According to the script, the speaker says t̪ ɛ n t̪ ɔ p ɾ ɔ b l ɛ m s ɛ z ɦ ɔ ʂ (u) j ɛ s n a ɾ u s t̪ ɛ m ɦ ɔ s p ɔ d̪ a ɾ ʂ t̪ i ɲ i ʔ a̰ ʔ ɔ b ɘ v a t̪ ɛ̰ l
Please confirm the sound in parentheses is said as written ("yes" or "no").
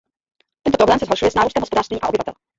yes